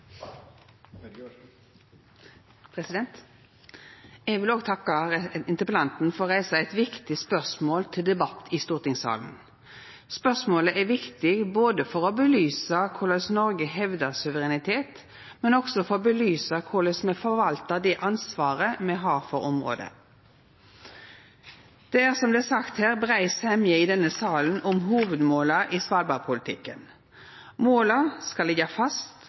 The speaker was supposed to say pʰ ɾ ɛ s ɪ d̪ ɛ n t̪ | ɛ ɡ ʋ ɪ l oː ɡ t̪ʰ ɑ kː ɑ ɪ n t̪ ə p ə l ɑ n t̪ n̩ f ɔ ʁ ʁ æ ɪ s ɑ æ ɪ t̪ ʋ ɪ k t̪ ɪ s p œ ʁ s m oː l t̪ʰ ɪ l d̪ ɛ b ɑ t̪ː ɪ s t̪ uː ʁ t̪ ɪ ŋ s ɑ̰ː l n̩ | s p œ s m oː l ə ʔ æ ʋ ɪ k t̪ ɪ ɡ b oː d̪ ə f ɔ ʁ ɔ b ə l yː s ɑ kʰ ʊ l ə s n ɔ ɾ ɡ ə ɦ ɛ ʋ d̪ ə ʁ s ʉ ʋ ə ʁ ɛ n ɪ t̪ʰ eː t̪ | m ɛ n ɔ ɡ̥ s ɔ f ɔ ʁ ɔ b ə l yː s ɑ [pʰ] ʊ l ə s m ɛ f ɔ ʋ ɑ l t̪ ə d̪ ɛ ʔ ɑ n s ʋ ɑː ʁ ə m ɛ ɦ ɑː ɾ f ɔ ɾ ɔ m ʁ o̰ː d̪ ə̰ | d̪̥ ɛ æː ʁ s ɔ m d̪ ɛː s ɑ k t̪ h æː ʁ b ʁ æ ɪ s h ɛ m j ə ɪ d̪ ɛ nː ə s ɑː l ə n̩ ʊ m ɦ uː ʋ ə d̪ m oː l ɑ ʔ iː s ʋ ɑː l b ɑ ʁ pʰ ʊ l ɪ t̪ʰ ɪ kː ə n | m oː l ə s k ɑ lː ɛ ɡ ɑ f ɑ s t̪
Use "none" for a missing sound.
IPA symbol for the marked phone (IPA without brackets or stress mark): kʰ